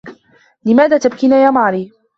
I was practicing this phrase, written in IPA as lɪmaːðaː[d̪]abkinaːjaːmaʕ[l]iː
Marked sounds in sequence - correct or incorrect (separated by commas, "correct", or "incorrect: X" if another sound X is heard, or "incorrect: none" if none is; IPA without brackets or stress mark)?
incorrect: t̪, incorrect: ɾ